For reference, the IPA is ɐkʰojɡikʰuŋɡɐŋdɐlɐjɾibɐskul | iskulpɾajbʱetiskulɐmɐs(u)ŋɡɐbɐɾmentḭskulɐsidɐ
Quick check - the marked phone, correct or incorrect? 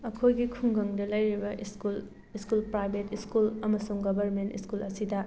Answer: correct